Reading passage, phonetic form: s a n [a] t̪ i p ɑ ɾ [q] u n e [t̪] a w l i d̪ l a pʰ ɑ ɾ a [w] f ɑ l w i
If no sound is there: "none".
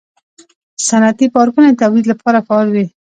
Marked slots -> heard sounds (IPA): a, k, t̪, none

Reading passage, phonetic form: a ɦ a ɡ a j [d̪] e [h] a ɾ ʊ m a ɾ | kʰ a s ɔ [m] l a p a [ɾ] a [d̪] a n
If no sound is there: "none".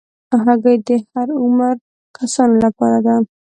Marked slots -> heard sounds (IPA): d̪, h, n, ɾ, d̪

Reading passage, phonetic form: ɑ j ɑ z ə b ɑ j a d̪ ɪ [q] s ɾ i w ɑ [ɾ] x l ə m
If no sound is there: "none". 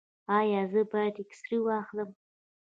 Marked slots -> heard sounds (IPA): k, none

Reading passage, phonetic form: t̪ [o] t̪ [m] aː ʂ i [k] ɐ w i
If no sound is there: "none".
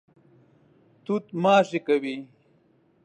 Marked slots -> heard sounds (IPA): u, m, k

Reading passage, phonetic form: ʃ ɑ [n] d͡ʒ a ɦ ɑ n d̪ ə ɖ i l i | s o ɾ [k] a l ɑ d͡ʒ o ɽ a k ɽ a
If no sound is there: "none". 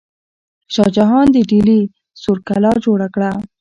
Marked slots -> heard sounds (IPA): none, k

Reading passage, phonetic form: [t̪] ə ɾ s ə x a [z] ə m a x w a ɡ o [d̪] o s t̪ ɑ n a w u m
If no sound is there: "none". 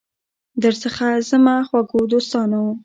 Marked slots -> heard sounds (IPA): d̪, z, d̪

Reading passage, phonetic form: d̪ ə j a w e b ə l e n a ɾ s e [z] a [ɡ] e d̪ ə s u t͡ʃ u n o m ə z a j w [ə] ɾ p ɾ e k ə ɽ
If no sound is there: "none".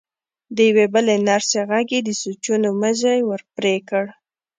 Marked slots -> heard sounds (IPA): ɣ, ɡ, ə

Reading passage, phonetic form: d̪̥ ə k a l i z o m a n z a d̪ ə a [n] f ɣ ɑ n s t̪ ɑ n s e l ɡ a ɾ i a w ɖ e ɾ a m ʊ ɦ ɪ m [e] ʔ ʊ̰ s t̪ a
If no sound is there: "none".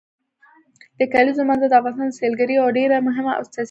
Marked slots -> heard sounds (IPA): none, a

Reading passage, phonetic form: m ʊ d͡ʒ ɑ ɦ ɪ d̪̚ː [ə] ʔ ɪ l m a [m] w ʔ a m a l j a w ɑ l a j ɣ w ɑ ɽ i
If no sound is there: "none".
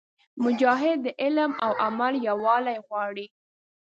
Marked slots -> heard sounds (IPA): ə, none

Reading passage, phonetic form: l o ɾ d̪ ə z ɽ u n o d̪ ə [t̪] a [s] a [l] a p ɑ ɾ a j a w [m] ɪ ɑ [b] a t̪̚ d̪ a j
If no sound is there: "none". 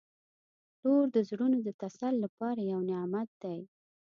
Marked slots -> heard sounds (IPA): t̪, s, lː, n, m

